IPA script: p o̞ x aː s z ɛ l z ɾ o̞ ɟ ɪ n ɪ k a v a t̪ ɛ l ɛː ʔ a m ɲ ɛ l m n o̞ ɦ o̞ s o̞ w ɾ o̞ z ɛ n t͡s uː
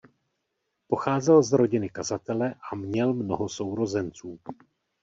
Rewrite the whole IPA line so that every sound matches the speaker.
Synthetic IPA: p o̞ x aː z ɛ l z ɾ o̞ ɟ ɪ n ɪ k a z a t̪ ɛ l ɛ ʔ a m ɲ ɛ l m n o̞ ɦ o̞ s o̞ w ɾ o̞ z ɛ n t͡s uː